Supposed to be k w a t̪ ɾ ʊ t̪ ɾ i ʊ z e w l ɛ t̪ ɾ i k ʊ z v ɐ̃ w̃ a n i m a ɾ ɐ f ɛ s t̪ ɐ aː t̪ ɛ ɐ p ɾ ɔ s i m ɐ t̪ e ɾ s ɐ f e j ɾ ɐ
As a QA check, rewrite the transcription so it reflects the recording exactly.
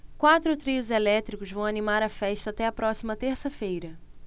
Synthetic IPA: k w a t̪ ɾ ʊ t̪ ɾ i ʊ z e l ɛ t̪ ɾ i k ʊ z v ɐ̃ w̃ a n i m a ɾ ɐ f ɛ ʃ t̪ ɐ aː t̪ ɛ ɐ p ɾ ɔ s i m ɐ t̪ e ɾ s ɐ f e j ɾ ɐ